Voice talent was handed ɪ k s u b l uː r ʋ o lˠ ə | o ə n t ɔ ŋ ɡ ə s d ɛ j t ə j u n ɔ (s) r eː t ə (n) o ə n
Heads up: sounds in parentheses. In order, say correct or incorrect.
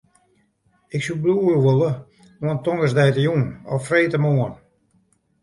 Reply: incorrect, incorrect

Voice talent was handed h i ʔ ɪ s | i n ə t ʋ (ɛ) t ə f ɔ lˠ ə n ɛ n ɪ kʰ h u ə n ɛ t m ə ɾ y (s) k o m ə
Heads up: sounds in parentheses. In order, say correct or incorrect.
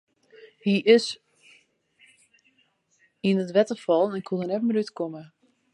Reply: correct, incorrect

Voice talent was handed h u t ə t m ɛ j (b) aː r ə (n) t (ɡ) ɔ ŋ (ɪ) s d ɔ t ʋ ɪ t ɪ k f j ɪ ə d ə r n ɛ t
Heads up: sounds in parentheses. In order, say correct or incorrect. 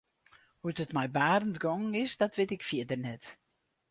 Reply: correct, correct, correct, correct

